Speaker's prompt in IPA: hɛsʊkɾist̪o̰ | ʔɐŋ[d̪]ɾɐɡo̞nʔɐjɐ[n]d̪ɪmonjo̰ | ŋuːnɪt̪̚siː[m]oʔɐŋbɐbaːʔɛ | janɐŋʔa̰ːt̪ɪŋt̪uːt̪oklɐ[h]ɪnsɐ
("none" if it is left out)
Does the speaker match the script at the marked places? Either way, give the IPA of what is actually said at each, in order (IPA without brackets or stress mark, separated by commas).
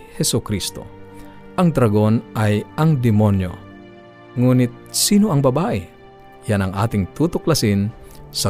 d̪, ŋ, n, s